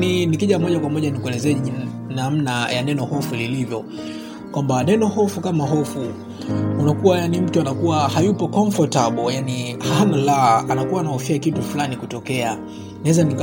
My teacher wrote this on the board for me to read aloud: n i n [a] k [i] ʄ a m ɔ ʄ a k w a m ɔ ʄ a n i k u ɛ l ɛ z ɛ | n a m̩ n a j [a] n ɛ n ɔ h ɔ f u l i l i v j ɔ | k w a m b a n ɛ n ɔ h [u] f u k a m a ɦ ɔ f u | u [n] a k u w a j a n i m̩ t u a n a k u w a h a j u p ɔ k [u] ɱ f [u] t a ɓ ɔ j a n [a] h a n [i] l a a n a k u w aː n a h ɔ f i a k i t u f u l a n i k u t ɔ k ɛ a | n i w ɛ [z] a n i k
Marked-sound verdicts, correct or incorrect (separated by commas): incorrect, correct, correct, incorrect, correct, incorrect, incorrect, incorrect, incorrect, correct